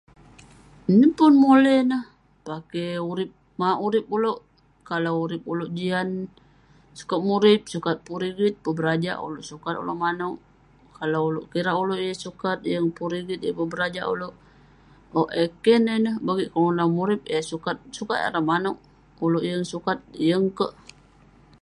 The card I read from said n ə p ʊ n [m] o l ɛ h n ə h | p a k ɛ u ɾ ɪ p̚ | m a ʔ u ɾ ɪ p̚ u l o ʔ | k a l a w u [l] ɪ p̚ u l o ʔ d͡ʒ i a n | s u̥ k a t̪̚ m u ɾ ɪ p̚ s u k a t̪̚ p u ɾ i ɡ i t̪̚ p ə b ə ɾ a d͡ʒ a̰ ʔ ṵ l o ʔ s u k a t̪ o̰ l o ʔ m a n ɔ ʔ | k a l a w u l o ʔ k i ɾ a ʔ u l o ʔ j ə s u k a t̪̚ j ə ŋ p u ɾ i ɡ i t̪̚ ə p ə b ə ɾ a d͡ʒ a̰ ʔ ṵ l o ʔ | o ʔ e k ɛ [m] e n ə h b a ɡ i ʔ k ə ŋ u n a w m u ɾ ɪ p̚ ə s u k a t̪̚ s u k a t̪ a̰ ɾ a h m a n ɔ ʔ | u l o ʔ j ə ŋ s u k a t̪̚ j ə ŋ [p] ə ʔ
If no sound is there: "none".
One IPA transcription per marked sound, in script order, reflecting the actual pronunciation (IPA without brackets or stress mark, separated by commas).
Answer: m, ɾ, n, k